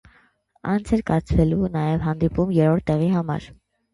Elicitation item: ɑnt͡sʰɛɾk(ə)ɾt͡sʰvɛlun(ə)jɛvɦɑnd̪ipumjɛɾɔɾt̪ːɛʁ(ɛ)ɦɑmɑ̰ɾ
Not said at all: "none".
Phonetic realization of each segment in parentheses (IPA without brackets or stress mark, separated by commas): ɑ, ɑ, i